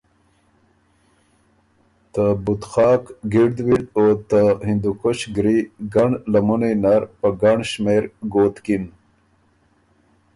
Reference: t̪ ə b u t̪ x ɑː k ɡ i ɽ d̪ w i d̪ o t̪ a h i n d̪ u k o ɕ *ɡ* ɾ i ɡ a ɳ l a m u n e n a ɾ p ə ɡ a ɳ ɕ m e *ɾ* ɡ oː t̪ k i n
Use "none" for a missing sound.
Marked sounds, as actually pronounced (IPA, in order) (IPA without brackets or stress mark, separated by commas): ɡ, ɾ